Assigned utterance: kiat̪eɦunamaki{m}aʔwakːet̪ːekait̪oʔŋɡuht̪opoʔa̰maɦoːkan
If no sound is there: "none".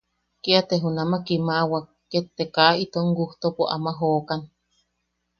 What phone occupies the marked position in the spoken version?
m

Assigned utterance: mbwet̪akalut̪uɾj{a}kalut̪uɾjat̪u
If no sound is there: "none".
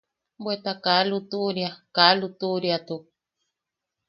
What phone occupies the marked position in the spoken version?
a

